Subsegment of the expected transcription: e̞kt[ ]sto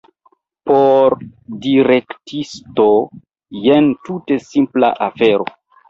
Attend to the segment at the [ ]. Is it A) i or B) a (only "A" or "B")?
A